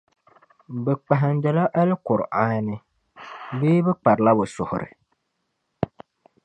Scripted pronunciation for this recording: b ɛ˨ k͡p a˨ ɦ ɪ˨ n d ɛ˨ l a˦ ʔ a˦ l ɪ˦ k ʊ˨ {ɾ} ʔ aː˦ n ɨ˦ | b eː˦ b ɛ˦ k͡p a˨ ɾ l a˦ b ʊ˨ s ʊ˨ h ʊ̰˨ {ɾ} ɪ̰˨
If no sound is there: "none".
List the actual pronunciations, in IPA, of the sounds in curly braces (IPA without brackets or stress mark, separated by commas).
ɾ, ɾ